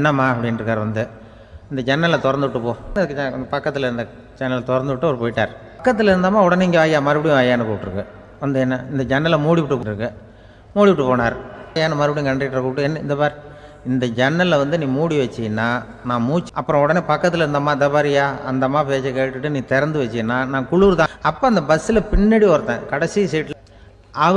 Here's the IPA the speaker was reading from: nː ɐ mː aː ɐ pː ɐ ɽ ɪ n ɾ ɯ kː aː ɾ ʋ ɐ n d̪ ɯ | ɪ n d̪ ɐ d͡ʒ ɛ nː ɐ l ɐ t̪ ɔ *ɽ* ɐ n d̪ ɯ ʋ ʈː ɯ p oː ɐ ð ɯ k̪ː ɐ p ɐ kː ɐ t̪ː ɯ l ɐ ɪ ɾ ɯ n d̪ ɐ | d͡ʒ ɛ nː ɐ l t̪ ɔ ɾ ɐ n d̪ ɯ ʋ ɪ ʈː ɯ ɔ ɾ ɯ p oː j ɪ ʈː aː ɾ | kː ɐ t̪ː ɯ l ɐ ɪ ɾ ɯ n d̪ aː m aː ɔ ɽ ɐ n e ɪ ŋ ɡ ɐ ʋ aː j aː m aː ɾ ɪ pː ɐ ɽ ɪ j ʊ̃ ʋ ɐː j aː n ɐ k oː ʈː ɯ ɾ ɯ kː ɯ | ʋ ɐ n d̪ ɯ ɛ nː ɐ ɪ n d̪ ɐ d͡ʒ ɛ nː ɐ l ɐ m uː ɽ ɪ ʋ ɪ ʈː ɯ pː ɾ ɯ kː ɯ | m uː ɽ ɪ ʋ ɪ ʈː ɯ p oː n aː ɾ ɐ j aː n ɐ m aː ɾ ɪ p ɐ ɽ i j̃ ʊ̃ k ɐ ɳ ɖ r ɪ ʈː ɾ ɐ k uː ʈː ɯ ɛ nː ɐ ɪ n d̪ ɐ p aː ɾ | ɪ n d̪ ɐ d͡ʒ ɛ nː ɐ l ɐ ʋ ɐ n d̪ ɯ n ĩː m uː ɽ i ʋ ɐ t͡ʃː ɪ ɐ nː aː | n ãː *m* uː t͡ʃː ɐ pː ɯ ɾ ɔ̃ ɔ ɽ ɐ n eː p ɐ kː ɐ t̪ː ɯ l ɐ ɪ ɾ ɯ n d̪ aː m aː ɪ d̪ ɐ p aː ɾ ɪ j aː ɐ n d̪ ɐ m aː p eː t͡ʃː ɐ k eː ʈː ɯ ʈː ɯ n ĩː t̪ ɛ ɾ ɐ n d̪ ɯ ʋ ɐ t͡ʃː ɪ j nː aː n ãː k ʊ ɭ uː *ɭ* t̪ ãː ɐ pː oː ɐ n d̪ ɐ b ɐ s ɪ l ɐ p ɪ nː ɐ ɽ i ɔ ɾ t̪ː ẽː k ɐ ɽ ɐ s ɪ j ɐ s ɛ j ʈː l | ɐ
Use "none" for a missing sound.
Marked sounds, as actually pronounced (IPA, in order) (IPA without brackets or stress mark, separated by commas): ɾ, m, ɾ